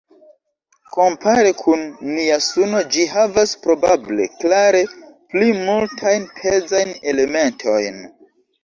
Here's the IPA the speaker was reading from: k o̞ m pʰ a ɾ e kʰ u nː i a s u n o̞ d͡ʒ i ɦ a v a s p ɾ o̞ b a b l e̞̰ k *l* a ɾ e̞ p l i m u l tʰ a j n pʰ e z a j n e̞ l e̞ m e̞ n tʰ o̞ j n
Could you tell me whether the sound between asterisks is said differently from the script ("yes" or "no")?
no